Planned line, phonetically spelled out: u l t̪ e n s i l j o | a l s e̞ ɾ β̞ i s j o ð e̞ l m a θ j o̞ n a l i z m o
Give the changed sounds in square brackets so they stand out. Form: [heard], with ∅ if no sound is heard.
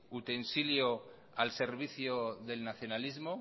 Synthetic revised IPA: u [∅] t̪ e n s i l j o | a l s e̞ ɾ β̞ i [θ] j o ð e̞ l [n] a θ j o̞ n a l i z m o